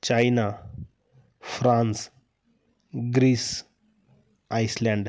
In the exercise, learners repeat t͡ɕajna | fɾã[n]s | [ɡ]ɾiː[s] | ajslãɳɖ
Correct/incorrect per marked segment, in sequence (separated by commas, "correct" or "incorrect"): correct, correct, correct